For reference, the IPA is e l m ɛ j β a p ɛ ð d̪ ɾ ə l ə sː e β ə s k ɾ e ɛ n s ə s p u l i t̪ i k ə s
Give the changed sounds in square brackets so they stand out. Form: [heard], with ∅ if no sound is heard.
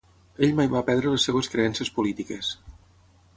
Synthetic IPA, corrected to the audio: e [ʎ] m [a] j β a p ɛ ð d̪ ɾ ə l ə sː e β ə s k ɾ e ɛ n s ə s p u l i t̪ i k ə s